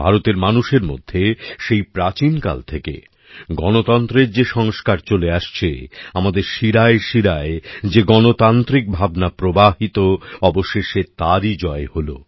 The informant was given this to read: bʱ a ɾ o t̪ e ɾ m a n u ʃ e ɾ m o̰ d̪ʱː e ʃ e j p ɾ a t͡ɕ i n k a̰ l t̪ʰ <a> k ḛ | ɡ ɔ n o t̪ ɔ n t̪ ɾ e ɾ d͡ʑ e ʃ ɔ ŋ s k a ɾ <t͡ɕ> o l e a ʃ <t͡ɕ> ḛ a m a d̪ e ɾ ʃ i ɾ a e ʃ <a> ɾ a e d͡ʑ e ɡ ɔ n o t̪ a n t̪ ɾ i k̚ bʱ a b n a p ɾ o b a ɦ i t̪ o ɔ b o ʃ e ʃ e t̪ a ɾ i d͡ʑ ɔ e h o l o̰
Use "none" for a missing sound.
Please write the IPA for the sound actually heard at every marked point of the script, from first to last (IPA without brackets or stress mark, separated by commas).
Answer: e, t͡ɕ, t͡ɕʰ, i